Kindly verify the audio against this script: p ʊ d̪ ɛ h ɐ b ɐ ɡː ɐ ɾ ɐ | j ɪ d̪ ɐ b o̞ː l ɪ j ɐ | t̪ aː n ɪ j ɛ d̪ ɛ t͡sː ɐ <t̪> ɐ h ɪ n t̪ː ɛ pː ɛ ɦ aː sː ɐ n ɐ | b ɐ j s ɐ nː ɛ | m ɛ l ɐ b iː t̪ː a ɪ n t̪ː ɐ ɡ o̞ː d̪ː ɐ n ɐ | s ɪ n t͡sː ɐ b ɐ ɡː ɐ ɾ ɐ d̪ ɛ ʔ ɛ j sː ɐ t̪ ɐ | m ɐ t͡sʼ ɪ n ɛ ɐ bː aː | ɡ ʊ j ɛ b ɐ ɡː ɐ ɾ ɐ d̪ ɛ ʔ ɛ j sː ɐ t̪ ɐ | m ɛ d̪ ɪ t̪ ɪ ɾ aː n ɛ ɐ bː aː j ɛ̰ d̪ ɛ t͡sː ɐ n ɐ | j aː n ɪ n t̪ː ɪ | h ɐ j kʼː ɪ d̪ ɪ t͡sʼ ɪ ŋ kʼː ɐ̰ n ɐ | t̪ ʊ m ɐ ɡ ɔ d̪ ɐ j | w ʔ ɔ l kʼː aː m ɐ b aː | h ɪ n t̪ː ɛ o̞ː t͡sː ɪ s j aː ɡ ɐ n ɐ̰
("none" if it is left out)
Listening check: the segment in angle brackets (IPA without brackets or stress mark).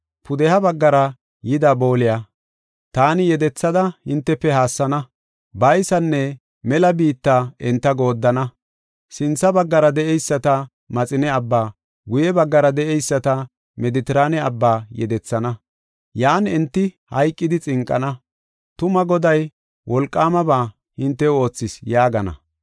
d̪